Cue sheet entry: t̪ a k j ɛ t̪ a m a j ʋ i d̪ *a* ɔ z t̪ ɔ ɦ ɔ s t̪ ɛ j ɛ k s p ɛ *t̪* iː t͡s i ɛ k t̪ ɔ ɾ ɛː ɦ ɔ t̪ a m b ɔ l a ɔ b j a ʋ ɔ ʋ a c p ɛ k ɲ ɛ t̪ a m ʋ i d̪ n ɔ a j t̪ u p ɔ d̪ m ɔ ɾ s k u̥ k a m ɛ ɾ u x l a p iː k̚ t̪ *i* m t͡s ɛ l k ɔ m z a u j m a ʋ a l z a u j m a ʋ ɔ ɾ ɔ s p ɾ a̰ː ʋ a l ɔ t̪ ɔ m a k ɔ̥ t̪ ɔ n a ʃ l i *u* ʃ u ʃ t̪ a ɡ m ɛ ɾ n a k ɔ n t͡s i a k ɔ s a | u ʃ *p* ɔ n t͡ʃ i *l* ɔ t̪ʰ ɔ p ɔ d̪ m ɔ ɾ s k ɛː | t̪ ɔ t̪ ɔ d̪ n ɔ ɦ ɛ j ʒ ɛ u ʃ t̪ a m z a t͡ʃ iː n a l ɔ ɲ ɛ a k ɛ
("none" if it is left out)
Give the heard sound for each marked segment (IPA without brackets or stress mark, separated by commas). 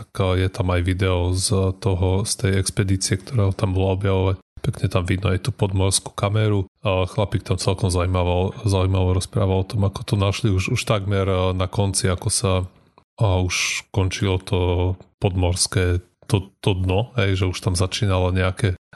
ɛ, d̪, a, u, k, l